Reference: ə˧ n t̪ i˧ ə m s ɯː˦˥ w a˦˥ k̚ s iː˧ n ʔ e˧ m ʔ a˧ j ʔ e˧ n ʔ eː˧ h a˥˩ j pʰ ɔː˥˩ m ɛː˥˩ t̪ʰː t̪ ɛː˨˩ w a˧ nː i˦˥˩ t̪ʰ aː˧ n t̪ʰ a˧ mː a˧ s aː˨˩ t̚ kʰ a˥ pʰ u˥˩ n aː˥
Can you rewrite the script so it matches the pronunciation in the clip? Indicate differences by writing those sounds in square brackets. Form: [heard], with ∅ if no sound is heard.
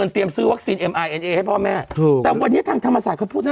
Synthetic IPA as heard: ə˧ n t̪ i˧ ə m s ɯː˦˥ w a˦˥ k̚ s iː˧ n ʔ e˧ m ʔ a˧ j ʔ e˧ n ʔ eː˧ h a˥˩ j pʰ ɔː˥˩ m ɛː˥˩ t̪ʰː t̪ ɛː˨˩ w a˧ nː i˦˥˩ t̪ʰ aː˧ [ŋ] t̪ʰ a˧ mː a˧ s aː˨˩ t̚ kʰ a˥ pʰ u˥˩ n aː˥